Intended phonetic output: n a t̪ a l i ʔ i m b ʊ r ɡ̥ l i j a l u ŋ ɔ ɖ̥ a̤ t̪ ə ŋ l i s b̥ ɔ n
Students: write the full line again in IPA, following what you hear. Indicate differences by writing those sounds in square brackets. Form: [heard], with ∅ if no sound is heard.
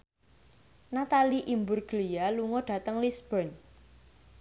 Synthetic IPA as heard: n a t̪ a l i ʔ i m b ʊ r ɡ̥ l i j a l u ŋ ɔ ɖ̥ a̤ t̪ ə ŋ l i s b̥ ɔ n